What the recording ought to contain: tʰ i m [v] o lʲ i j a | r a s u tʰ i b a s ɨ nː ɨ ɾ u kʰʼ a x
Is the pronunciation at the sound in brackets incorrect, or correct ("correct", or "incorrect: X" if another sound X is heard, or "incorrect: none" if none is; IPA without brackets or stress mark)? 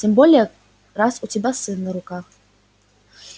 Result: incorrect: b